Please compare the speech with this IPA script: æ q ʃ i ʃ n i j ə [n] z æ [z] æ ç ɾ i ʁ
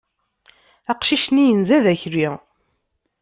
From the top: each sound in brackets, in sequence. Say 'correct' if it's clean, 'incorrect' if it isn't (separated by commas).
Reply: correct, incorrect